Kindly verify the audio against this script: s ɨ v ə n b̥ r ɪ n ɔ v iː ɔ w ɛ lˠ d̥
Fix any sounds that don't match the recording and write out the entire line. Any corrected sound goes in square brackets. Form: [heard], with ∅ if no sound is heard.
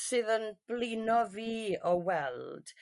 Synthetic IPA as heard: s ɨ [ð] ə n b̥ [l] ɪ n ɔ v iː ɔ w ɛ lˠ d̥